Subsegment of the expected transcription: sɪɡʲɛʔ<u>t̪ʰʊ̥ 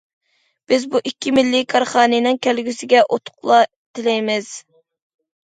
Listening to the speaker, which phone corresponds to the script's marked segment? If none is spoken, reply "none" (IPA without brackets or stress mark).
o